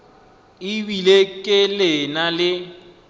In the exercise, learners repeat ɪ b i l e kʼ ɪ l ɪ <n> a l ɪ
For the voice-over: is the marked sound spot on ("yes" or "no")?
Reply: yes